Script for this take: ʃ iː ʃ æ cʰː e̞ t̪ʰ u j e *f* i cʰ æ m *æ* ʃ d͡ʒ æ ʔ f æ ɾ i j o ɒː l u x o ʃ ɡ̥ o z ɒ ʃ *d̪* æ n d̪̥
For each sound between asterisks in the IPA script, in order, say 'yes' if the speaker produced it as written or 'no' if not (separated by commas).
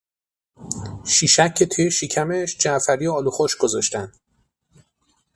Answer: no, no, no